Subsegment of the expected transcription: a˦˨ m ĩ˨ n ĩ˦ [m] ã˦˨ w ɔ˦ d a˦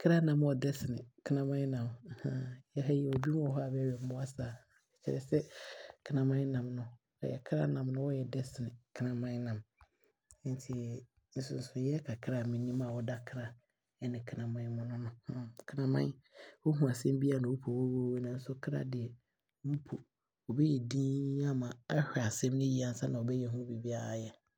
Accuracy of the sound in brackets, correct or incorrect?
correct